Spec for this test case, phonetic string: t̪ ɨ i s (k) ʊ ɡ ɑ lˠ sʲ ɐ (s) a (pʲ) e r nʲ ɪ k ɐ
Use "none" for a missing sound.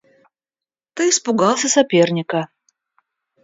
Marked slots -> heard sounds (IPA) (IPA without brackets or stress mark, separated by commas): p, s, pʲ